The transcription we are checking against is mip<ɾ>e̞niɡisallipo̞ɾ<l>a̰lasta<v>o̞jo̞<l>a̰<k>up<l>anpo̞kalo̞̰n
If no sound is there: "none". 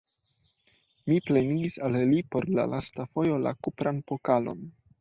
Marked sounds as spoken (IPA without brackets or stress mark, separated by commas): l, l, f, l, k, ɾ